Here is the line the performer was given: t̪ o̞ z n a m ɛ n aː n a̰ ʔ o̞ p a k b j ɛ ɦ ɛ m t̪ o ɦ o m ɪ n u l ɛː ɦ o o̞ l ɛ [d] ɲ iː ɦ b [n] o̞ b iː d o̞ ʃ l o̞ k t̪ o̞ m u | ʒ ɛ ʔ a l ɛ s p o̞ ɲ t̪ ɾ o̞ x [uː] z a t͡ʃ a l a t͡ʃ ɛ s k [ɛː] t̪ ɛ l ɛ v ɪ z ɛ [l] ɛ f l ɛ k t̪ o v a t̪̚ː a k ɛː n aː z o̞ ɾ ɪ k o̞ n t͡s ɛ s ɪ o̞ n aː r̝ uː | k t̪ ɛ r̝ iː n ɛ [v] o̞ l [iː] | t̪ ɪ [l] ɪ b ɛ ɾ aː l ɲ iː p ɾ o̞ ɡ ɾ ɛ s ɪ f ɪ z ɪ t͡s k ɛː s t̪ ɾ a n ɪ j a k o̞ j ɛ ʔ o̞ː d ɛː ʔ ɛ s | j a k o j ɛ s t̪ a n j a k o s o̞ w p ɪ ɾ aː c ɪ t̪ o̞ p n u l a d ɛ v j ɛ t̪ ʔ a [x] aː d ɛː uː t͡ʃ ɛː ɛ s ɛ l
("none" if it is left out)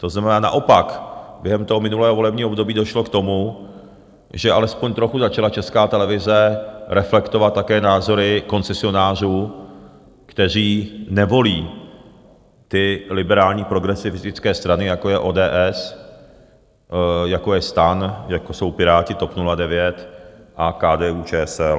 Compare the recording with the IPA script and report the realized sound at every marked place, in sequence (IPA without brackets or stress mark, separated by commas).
b, d, u, aː, ɾ, v, iː, l, k